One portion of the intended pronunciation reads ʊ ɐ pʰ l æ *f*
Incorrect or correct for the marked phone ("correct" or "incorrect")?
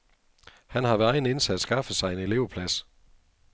incorrect